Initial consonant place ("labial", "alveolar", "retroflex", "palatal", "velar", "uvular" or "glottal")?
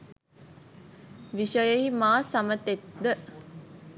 labial